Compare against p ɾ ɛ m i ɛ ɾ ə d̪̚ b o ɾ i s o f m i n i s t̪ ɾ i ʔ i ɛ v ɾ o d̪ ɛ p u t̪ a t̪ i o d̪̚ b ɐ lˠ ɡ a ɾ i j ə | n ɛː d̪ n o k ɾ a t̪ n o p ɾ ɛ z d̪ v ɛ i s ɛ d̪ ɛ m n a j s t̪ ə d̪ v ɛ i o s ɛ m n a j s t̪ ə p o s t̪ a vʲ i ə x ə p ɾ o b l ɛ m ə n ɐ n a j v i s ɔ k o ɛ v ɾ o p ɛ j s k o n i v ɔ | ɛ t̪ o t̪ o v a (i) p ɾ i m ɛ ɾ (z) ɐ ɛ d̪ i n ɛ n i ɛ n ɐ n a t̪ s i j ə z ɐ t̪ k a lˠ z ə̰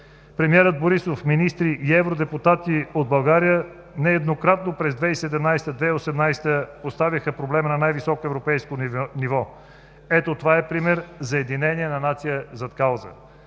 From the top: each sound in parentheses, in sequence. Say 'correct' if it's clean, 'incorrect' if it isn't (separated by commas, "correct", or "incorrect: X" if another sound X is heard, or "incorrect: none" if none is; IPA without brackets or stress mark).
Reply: incorrect: ɛ, correct